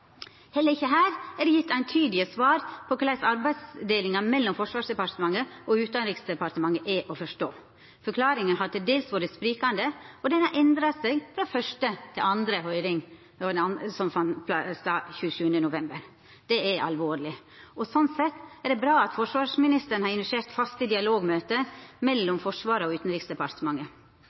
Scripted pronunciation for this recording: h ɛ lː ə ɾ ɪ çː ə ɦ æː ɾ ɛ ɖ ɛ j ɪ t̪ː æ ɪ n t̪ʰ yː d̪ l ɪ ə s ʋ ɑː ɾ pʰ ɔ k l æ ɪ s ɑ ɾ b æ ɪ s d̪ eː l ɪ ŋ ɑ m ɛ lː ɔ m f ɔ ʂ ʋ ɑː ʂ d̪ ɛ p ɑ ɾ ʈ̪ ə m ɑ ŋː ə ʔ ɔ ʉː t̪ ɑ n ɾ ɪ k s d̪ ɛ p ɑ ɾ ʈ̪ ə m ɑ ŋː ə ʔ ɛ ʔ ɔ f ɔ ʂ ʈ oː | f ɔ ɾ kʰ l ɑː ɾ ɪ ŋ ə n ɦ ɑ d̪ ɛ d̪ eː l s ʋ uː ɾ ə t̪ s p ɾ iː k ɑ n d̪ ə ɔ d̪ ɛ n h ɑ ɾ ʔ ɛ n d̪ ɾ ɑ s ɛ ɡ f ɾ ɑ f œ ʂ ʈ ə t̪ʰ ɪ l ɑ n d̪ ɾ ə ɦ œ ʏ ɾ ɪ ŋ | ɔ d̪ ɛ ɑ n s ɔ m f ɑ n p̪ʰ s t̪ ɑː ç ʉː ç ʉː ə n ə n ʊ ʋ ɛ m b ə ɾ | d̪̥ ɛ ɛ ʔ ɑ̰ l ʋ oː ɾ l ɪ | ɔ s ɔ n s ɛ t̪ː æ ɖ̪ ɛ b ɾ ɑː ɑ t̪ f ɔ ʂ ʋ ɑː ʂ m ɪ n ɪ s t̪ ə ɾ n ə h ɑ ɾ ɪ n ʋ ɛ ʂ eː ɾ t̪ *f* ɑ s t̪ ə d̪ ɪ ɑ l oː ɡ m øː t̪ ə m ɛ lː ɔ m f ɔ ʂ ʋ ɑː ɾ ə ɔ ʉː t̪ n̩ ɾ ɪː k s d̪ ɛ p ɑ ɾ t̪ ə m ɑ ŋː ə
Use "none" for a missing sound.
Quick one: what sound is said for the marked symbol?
f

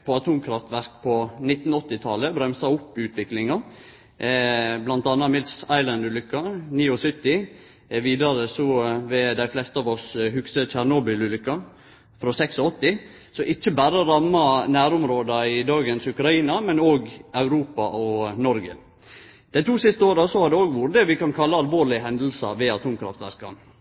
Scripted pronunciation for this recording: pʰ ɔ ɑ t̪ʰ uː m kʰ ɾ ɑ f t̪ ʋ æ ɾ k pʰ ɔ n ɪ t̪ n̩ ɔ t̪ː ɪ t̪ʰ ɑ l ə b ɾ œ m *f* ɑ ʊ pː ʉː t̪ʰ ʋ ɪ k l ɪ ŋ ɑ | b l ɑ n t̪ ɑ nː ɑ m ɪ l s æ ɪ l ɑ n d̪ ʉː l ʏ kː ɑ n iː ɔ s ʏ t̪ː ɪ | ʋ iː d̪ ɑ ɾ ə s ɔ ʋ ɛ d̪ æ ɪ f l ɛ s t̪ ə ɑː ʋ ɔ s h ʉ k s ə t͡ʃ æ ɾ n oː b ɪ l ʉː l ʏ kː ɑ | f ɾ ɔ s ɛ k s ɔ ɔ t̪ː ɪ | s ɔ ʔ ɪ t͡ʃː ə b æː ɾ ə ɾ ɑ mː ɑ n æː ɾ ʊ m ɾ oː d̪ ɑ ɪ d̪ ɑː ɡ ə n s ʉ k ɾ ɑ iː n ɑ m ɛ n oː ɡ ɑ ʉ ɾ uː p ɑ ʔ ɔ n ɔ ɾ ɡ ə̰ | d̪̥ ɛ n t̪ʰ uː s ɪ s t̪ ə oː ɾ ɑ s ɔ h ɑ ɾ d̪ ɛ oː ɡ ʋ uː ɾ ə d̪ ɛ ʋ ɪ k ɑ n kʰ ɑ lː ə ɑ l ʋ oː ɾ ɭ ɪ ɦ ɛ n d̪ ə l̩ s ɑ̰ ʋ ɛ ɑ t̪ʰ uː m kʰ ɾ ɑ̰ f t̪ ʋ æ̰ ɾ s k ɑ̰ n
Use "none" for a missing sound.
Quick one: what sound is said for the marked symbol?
s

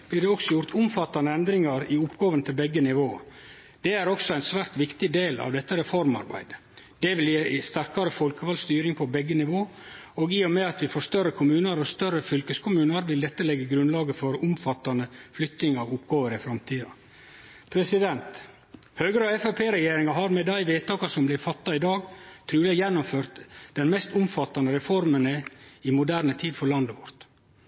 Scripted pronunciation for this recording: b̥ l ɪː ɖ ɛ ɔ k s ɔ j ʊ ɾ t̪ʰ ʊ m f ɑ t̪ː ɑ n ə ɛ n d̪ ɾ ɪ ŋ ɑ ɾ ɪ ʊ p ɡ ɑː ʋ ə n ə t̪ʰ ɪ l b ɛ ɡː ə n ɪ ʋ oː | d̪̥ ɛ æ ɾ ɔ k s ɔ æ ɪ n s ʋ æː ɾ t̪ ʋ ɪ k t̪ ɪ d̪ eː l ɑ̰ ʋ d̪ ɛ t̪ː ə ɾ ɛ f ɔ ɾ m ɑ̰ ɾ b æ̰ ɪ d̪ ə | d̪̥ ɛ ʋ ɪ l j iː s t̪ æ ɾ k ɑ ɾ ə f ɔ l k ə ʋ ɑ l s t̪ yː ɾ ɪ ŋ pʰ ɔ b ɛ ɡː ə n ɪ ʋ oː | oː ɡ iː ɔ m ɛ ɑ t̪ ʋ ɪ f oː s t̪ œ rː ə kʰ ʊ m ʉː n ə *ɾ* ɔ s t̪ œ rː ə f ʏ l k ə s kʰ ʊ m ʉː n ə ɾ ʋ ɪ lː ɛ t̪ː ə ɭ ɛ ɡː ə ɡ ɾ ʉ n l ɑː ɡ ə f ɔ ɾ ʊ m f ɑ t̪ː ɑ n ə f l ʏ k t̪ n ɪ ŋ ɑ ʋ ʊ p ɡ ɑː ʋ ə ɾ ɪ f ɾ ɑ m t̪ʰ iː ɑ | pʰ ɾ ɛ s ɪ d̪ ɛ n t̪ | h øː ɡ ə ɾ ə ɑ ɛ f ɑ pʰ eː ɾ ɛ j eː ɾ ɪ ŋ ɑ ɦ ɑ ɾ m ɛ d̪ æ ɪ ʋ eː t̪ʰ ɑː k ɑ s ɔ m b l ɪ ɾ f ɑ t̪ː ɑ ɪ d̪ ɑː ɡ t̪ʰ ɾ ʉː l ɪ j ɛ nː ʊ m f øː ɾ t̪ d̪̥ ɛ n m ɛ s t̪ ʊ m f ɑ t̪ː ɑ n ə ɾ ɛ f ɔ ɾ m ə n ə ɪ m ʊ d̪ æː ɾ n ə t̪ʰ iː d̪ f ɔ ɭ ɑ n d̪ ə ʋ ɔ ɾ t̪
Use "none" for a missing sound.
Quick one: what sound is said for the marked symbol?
ɾ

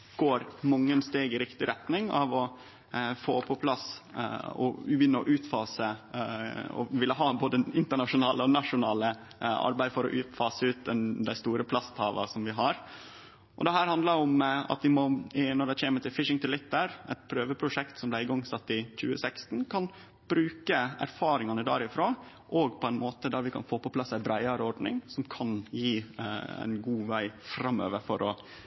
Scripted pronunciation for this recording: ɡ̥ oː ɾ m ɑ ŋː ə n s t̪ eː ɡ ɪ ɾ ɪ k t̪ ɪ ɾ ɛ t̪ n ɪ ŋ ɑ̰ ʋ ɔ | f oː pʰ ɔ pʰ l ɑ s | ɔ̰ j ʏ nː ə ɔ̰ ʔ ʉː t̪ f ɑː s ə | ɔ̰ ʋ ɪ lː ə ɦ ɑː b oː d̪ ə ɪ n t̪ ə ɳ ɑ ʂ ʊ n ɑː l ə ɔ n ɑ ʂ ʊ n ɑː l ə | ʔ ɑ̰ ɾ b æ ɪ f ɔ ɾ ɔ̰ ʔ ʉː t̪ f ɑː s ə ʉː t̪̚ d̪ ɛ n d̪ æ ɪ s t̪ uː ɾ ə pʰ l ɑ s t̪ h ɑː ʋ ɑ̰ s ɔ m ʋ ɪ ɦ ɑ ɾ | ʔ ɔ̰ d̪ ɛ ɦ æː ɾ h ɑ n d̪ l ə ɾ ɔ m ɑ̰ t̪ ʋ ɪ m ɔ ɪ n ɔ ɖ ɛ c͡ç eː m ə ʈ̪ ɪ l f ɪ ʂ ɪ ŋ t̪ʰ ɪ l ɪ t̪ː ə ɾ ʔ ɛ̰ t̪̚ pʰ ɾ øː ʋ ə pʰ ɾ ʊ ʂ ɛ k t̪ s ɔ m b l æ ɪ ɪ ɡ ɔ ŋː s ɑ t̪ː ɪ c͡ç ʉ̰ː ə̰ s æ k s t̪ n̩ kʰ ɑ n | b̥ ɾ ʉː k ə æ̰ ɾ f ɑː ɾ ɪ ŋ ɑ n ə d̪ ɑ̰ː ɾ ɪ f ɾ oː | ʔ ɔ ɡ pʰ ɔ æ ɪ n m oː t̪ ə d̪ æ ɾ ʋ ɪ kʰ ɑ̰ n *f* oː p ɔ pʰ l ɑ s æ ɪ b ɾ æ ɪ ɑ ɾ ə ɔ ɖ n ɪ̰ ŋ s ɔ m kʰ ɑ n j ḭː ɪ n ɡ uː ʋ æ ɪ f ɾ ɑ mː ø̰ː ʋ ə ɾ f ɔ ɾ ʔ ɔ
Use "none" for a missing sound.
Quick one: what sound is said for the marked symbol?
f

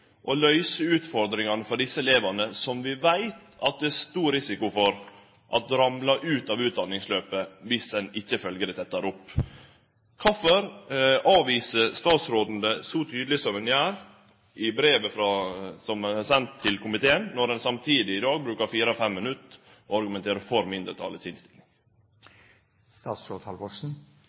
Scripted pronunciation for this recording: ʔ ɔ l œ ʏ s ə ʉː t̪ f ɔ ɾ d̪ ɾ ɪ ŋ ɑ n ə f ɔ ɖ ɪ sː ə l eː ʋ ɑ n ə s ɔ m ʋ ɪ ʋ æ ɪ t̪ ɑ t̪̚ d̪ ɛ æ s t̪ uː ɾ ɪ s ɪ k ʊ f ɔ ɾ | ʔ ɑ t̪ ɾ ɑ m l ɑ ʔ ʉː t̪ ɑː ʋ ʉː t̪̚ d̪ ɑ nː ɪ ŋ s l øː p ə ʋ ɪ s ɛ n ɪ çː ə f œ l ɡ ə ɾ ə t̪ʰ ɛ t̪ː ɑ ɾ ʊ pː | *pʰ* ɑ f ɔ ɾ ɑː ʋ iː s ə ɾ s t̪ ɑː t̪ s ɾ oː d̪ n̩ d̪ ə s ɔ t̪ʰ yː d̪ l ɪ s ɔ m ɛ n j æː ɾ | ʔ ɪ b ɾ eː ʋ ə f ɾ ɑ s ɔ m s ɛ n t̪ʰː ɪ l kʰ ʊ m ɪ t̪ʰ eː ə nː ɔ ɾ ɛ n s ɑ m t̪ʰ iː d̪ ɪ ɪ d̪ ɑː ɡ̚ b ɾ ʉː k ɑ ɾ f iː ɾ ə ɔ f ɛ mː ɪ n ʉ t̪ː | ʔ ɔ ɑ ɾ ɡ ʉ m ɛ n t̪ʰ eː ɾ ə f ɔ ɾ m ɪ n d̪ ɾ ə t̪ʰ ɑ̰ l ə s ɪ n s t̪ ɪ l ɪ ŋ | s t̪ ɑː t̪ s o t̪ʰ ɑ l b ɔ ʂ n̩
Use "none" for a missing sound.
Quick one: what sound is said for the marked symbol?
kʰ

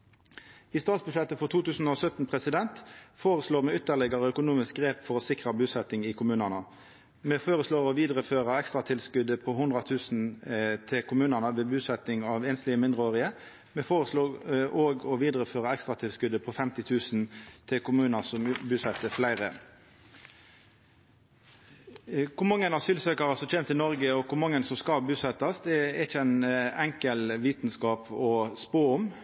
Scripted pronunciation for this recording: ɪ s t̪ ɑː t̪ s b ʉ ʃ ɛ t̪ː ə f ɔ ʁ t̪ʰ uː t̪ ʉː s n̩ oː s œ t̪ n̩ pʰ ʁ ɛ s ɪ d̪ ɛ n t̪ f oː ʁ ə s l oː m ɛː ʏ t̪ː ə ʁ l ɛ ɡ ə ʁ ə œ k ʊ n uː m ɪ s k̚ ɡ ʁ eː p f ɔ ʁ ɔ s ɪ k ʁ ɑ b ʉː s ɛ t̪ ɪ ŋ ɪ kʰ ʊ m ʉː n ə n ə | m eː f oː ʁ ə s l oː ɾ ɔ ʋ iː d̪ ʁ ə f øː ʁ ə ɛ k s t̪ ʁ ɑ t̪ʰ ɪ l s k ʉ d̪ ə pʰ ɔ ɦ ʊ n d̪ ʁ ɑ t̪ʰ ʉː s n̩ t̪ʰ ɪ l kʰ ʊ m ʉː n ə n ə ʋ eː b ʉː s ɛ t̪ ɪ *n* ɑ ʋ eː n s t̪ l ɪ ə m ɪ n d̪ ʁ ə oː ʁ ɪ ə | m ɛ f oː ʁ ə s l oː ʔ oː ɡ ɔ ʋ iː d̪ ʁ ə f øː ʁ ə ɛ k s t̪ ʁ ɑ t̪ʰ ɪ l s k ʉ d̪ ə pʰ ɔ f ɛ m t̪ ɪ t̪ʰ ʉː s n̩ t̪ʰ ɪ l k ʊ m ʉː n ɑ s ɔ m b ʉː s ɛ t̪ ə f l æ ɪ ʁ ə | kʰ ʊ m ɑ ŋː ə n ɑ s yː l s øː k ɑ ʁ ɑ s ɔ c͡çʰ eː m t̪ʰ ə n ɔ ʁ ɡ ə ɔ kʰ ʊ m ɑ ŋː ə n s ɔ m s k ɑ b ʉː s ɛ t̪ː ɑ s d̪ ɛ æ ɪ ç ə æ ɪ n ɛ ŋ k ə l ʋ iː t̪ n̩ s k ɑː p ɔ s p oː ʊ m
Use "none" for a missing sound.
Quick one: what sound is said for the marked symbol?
ŋ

